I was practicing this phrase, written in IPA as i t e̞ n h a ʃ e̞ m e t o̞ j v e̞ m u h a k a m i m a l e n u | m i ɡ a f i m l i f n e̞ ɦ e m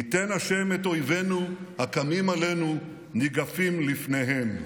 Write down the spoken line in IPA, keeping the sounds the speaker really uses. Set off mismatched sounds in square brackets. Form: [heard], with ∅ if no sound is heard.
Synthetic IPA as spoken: i t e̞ n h a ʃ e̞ m e t o̞ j v e̞ [n] u h a k a m i m a l e n u | [n] i ɡ a f i m l i f n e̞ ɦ e m